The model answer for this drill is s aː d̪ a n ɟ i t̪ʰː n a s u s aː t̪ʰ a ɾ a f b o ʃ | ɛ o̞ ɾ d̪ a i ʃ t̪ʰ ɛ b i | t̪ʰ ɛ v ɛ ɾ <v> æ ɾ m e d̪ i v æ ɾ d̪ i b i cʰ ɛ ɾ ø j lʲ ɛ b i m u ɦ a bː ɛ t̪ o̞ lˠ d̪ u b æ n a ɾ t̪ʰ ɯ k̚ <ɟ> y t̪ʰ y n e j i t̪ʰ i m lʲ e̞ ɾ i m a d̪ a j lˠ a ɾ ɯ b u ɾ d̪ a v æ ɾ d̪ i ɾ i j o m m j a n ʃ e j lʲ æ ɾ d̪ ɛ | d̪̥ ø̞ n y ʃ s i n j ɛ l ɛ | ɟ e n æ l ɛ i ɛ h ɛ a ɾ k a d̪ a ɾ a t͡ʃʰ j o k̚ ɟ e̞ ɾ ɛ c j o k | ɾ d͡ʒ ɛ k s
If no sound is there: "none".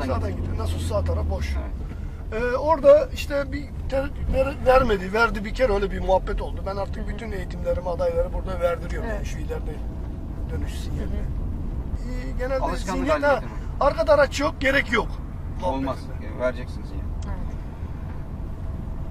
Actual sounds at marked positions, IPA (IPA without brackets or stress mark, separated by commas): v, b